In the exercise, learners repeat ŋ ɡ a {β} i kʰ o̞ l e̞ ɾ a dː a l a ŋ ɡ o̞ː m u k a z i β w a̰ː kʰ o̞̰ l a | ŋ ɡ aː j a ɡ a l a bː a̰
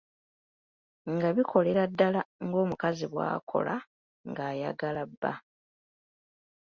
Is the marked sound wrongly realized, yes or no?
no